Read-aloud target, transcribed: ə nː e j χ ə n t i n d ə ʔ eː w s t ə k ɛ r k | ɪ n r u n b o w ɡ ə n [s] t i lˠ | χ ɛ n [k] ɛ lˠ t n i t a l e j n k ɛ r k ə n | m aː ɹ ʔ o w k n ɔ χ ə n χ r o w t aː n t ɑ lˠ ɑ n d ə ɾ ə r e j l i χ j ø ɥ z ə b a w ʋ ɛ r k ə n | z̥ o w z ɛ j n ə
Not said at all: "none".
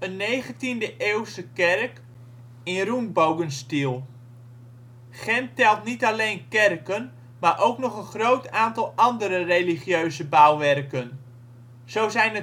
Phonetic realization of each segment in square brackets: s, t

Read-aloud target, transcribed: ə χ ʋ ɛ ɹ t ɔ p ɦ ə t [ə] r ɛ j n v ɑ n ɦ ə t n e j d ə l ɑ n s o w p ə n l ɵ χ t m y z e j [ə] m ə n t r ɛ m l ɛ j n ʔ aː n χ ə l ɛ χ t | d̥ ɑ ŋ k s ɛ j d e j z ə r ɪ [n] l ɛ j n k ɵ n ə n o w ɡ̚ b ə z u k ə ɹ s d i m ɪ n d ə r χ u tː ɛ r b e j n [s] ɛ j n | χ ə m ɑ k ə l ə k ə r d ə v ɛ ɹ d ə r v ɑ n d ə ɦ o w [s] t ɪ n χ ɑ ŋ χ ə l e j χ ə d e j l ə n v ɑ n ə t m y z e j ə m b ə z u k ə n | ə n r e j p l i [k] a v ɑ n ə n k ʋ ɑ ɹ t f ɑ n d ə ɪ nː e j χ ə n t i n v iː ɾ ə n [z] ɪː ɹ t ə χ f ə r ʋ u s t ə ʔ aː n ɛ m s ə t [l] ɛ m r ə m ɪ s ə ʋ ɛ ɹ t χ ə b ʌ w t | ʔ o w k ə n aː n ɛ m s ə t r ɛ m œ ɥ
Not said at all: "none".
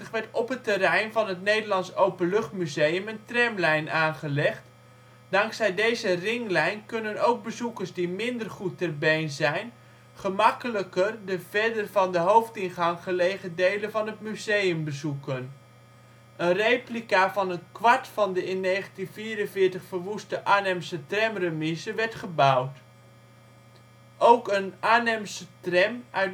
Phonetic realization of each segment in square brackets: ə, ə, ŋ, z, f, k, v, r

